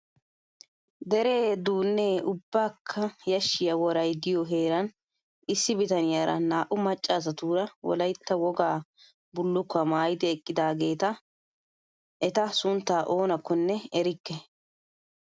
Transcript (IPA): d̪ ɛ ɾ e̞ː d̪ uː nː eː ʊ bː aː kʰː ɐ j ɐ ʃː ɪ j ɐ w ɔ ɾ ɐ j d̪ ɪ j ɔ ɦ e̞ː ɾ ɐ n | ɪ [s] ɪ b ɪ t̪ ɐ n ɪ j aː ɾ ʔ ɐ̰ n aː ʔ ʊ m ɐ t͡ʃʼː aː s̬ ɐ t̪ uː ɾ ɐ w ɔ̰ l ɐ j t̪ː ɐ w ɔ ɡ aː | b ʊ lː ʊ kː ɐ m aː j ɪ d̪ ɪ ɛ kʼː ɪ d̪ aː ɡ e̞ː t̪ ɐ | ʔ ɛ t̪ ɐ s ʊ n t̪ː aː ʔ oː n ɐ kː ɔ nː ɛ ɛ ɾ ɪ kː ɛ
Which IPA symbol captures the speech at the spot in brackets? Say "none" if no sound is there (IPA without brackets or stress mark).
sː